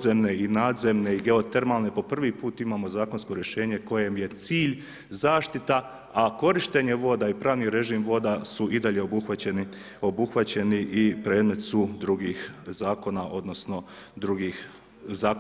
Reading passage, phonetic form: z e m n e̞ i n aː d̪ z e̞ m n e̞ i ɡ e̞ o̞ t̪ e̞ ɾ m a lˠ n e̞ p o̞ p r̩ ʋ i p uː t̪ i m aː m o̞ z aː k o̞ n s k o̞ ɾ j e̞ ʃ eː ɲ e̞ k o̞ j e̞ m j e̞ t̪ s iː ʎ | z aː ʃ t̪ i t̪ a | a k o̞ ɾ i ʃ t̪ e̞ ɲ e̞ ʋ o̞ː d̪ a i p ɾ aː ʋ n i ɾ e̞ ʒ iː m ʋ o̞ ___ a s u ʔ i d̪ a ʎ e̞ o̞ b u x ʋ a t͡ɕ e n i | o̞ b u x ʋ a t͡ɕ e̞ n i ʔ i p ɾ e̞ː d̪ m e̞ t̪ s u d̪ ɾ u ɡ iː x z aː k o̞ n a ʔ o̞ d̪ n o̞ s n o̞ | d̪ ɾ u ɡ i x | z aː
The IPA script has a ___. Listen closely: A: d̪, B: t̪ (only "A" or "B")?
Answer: A